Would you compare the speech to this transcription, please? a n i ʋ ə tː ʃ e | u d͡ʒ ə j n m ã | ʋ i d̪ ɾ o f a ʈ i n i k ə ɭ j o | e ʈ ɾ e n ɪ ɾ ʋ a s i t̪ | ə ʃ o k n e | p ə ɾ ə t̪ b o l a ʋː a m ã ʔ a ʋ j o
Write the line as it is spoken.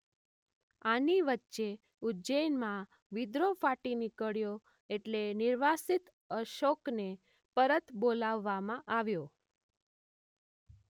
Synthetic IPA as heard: a n i ʋ ə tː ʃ e | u d͡ʒ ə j n m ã | ʋ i d̪ ɾ o f a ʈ i n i k ə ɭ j o | e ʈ l e n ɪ ɾ ʋ a s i t̪ | ə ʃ o k n e | p ə ɾ ə t̪ b o l a ʋː a m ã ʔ a ʋ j o